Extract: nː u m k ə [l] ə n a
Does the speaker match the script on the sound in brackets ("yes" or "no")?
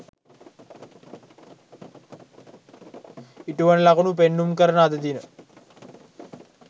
no